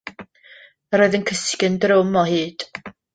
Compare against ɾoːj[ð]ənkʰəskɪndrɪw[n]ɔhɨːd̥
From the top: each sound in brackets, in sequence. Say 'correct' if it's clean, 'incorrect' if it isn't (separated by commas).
correct, incorrect